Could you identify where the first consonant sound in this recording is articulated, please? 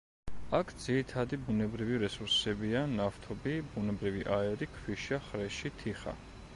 velar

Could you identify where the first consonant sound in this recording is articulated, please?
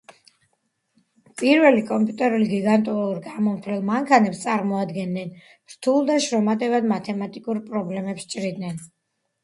labial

